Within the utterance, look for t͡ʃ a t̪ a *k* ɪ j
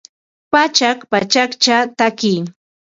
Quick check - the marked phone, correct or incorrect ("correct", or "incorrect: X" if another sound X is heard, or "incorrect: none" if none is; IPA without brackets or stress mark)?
correct